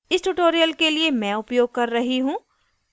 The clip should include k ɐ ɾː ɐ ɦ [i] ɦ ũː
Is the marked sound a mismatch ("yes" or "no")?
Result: no